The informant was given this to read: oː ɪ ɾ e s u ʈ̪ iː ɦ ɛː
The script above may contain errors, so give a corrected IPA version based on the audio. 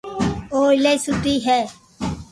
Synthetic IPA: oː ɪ l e s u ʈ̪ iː ɦ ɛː